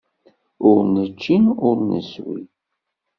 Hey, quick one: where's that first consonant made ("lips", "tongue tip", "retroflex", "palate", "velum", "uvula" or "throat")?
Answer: tongue tip